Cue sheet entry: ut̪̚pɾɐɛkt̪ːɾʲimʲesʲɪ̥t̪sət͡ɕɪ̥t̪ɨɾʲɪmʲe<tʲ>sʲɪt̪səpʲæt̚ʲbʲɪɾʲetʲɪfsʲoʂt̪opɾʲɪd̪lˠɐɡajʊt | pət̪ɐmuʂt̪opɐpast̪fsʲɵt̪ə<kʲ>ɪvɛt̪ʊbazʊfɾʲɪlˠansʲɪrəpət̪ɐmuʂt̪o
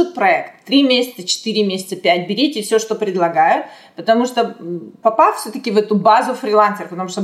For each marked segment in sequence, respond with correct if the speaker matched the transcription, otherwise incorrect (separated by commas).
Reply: incorrect, correct